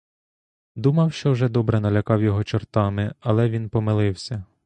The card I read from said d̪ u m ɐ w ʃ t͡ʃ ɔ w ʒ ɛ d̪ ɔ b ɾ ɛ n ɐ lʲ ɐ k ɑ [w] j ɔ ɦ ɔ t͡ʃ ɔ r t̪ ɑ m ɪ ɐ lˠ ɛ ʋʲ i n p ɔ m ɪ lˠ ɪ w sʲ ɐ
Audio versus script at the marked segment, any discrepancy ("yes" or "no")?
no